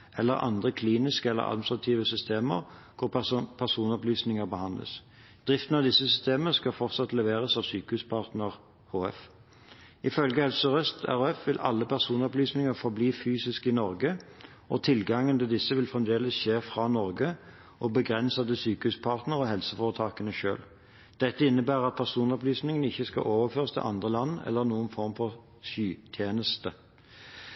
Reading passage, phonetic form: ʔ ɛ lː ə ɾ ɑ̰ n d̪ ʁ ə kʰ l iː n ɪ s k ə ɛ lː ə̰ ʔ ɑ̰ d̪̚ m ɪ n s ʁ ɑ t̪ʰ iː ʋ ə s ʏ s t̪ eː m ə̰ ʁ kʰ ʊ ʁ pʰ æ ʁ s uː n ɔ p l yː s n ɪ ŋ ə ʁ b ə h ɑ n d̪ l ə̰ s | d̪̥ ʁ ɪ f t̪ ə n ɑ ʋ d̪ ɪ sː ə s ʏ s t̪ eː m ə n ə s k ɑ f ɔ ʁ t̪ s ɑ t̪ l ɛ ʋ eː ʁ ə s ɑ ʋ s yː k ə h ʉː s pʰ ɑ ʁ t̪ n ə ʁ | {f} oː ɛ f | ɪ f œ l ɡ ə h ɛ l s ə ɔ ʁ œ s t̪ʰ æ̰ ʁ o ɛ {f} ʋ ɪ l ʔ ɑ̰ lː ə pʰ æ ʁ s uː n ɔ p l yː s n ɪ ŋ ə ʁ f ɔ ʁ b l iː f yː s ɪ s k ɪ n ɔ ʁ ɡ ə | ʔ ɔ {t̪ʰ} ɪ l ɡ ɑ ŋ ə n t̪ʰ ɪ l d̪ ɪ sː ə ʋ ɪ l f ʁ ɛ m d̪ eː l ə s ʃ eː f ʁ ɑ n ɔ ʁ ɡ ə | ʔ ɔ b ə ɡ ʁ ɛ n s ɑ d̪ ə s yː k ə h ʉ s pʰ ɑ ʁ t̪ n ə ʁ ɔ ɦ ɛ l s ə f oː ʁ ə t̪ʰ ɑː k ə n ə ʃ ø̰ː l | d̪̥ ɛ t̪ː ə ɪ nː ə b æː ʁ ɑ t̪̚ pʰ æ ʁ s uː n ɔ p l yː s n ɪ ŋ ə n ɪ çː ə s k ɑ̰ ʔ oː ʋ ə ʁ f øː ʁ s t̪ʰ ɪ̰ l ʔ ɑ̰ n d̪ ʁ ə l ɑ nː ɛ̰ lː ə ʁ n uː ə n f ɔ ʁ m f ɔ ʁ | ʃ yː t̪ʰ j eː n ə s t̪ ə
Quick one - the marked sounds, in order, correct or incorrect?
incorrect, correct, correct

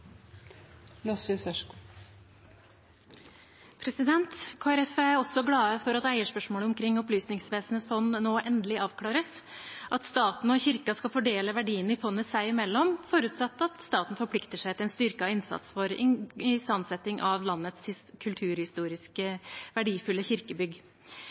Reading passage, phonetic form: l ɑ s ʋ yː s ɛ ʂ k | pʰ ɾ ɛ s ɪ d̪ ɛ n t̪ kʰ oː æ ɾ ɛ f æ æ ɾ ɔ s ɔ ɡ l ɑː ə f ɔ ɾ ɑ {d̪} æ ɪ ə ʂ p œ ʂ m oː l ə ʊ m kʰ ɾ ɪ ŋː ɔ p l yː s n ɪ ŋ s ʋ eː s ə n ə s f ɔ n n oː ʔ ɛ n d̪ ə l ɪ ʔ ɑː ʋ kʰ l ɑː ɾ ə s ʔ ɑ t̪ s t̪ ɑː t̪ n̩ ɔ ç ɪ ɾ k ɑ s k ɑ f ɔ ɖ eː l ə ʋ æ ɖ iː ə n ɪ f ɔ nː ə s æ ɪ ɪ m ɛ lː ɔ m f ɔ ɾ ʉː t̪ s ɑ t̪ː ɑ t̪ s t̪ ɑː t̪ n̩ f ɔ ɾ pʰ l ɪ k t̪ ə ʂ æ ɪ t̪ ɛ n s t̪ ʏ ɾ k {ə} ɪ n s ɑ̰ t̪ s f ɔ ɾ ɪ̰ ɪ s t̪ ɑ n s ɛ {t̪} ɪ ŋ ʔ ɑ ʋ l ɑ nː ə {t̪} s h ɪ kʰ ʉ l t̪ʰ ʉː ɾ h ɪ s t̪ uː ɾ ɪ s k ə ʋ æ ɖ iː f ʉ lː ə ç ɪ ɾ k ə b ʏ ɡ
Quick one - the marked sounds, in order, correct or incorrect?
incorrect, incorrect, correct, correct

